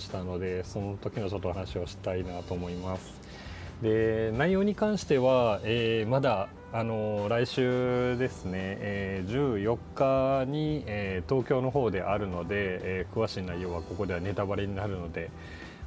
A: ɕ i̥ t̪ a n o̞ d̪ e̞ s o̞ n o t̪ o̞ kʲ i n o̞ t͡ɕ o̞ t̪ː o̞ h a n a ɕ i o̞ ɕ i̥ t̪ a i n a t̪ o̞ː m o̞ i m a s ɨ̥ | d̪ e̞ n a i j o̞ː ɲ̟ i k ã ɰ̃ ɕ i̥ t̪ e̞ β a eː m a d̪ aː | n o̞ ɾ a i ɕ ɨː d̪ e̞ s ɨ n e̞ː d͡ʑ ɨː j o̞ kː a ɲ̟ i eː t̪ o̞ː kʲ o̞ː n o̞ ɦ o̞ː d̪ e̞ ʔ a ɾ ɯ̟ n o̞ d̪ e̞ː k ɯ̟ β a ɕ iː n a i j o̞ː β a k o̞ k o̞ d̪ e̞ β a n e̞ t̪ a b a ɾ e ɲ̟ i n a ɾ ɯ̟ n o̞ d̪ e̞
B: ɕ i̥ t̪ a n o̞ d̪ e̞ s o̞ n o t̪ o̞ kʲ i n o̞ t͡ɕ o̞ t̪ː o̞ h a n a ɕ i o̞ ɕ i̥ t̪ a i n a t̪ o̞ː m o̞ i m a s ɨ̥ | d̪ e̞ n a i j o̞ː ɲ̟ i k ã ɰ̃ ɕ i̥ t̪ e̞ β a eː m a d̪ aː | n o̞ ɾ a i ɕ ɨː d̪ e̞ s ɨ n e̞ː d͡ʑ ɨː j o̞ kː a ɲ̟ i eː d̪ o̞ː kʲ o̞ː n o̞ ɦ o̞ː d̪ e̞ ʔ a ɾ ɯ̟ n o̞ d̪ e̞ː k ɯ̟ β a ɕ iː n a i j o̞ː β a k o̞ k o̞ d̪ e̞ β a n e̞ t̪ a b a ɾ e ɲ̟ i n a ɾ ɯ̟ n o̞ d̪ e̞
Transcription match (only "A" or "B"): A